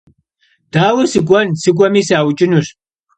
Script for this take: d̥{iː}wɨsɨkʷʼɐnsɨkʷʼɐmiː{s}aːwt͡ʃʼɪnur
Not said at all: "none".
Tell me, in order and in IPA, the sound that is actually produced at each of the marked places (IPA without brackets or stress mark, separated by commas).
aː, s